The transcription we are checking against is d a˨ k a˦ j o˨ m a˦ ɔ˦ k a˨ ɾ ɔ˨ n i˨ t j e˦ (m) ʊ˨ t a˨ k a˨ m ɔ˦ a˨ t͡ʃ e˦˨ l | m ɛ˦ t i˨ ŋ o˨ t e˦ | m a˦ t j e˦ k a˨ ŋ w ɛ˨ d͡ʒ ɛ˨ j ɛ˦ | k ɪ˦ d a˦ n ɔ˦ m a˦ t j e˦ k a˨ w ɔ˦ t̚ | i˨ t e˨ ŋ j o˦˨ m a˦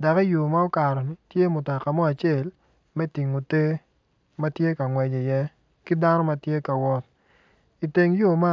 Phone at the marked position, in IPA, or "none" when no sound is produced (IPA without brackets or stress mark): m